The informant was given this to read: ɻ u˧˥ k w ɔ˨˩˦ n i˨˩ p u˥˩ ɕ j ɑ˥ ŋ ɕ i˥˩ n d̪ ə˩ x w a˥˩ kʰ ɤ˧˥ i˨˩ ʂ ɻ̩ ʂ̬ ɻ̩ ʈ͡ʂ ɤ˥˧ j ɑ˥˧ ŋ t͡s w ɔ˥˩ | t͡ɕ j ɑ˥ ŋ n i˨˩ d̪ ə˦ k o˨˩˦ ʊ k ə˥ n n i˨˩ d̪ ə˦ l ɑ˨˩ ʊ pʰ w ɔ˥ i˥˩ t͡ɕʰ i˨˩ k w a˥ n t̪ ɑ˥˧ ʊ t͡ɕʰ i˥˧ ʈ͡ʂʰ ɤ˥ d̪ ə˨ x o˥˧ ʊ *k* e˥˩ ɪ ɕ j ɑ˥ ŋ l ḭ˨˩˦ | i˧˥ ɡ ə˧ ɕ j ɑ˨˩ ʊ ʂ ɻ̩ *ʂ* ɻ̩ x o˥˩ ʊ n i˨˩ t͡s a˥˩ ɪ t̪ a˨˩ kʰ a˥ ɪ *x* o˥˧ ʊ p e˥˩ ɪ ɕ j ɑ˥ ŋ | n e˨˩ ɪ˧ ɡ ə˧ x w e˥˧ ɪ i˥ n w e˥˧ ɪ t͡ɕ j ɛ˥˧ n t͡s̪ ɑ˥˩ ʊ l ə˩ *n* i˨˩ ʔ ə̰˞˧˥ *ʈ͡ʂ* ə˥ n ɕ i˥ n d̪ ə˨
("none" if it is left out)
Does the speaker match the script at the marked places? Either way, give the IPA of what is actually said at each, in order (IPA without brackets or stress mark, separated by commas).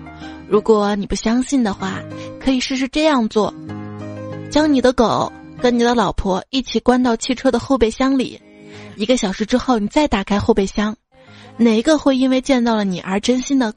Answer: p, ʈ͡ʂ, x, n, ʈ͡ʂ